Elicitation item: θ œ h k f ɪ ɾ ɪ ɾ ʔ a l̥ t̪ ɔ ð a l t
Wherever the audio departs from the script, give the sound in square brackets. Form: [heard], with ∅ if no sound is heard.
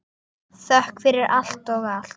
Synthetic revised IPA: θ œ h k f ɪ ɾ ɪ ɾ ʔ a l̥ t̪ ɔ [ɣ] a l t